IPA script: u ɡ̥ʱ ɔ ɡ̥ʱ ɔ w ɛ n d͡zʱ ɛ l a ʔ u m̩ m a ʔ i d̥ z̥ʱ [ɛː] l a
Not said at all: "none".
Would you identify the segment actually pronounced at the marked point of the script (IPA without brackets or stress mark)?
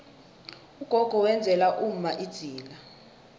iː